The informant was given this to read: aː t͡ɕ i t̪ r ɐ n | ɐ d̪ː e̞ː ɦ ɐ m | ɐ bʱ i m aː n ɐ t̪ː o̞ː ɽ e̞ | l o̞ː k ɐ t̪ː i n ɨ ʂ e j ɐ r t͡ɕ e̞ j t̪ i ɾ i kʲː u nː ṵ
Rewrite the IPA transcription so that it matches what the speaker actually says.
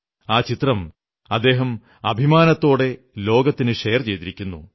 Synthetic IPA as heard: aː t͡ɕ i t̪ r ɐ m | ɐ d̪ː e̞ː ɦ ɐ m | ɐ bʱ i m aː n ɐ t̪ː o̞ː ɽ e̞ | l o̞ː ɡ ɐ t̪ː i n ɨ ʂ e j ɐ r t͡ɕ e̞ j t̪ i ɾ i kʲː u nː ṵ

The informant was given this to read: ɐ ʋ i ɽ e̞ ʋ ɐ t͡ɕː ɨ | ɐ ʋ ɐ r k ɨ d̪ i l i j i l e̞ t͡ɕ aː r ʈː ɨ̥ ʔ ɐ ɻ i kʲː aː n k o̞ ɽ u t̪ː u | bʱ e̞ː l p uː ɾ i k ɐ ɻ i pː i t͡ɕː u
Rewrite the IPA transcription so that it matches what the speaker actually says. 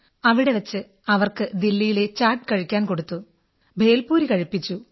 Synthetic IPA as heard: ɐ ʋ i ɽ e̞ ʋ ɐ t͡ɕː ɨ | ɐ ʋ ɐ r k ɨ d̪ i lː i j i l e̞ t͡ɕ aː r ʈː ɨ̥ k ɐ ɻ i kʲː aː n k o̞ ɽ u t̪ː u | bʱ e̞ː l p uː ɾ i k ɐ ɻ i pː i t͡ɕː u

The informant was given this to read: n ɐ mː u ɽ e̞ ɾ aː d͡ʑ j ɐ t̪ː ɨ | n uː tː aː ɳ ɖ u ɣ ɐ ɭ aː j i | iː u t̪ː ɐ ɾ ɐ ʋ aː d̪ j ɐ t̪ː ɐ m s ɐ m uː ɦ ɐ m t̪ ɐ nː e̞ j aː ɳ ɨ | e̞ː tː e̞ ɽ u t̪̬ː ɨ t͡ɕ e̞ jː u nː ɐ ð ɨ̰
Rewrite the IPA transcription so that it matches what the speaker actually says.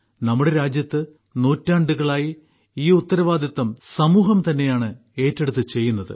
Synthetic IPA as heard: n ɐ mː u ɽ e̞ ɾ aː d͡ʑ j ɐ t̪ː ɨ | n uː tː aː ɳ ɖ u ɣ ɐ ɭ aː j i | iː u t̪ː ɐ ɾ ɐ ʋ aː d̪ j ɐ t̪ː ɐ m s ɐ m uː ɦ ɐ m t̪ ɐ nː e̞ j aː ɳ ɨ | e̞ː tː e̞ ɽ u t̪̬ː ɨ t͡ɕ e̞ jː u nː ɐ ð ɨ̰

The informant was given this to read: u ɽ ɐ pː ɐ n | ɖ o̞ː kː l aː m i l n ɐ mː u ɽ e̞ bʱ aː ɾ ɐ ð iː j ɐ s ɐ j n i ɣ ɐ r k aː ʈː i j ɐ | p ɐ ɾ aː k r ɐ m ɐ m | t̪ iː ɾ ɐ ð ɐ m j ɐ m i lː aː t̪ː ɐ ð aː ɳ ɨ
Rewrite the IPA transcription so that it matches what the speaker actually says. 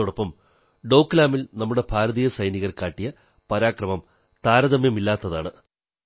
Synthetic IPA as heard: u ɽ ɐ pː ɐ m | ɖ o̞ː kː l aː m i l n ɐ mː u ɽ e̞ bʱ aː ɾ ɐ ð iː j ɐ s ɐ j n i ɣ ɐ r k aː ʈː i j ɐ | p ɐ ɾ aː k r ɐ m ɐ m | t̪ aː ɾ ɐ ð ɐ m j ɐ m i lː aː t̪ː ɐ ð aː ɳ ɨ

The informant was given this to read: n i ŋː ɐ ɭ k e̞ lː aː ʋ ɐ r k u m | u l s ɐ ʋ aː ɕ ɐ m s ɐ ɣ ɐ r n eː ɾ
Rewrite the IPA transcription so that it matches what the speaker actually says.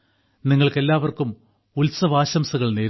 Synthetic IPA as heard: n i ŋː ɐ ɭ k e̞ lː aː ʋ ɐ r k u m | u l s ɐ ʋ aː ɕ ɐ m s ɐ ɣ ɐ ɭ n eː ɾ

